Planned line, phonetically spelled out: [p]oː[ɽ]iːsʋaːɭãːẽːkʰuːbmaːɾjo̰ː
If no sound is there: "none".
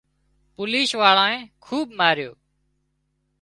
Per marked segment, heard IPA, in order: p, l

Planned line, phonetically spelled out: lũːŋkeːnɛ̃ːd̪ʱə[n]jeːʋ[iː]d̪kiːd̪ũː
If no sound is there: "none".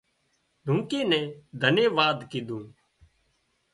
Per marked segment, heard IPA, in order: n, aː

